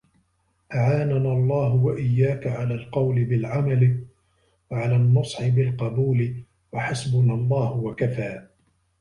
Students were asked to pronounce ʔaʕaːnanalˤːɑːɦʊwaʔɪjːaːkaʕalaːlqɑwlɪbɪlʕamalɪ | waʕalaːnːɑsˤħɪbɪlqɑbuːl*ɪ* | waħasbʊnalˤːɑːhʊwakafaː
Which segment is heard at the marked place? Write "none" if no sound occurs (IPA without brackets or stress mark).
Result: ɪ